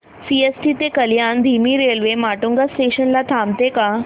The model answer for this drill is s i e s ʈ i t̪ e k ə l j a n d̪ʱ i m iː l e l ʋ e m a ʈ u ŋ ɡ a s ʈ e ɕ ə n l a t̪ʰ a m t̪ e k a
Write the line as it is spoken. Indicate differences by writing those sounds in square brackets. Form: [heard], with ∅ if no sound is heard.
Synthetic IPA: s i e s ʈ i t̪ e k ə l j a n d̪ʱ i m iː [ɾ] e l ʋ e m a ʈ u ŋ ɡ a s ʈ e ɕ ə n l a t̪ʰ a m t̪ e k a